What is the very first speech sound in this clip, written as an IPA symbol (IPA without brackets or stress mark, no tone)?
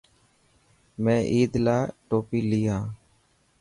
m